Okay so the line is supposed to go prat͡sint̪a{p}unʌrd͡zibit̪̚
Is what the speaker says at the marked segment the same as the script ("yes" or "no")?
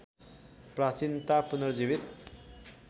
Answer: yes